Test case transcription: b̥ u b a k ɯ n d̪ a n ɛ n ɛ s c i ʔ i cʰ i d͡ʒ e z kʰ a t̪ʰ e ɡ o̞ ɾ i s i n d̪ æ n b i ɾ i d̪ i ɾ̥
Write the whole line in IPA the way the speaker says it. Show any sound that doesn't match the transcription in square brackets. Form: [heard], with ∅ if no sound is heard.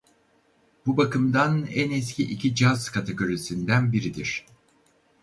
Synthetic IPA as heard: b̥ u b a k ɯ [m] d̪ a n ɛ n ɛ s c i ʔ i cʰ i d͡ʒ [a] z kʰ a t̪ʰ e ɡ o̞ ɾ i s i n d̪ æ n b i ɾ i d̪ i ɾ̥